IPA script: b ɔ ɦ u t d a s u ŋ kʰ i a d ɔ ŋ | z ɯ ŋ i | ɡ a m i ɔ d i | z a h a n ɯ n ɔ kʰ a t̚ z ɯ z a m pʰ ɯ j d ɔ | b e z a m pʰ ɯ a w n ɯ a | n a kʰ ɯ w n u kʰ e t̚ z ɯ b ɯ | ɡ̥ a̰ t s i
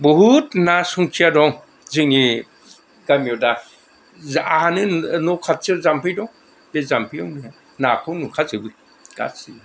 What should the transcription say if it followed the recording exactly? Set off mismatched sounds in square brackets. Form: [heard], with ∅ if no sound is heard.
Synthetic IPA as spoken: b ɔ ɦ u t [n] a s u ŋ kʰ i a d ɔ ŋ | z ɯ ŋ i | ɡ a m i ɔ d [a] | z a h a n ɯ n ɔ kʰ a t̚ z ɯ z a m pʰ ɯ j d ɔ | b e z a m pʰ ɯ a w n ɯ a | n a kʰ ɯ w n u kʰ [a] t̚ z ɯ b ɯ | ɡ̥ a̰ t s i

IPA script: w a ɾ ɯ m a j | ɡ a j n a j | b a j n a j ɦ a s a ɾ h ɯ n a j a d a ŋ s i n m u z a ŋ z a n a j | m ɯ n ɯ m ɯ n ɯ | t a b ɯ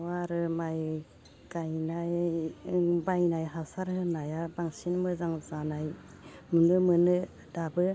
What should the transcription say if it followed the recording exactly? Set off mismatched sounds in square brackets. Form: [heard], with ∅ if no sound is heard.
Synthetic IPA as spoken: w a ɾ ɯ m a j | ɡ a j n a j | b a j n a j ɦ a s a ɾ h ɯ n a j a [b] a ŋ s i n m [ɯ] z a ŋ z a n a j | m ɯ n ɯ m ɯ n ɯ | [d] a b ɯ

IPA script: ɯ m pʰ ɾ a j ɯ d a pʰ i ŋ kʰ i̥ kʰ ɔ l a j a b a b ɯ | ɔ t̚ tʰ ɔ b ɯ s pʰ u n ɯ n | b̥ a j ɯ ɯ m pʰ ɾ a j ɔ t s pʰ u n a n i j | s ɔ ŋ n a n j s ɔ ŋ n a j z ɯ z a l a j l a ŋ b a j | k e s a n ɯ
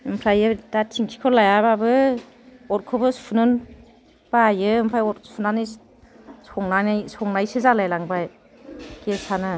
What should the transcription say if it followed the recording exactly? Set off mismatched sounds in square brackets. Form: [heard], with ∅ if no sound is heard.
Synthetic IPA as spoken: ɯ m pʰ ɾ a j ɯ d a [tʰ] i ŋ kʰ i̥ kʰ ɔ l a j a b a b ɯ | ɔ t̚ [kʰ] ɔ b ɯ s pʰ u n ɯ n | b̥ a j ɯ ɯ m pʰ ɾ a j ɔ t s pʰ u n a n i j | s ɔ ŋ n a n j s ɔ ŋ n a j [s] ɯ z a l a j l a ŋ b a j | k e s a n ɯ

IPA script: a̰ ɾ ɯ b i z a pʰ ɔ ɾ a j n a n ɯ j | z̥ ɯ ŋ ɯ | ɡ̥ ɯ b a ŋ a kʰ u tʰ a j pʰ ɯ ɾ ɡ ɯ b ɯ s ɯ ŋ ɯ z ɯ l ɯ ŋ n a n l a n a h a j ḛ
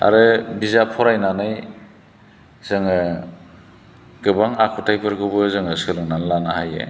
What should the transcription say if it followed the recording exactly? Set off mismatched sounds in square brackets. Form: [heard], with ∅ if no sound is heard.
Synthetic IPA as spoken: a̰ ɾ ɯ b i z a pʰ ɔ ɾ a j n a n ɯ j | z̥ ɯ ŋ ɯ | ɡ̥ ɯ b a ŋ a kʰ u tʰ a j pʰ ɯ ɾ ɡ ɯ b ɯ [z] ɯ ŋ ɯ [s] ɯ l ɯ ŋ n a n l a n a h a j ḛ

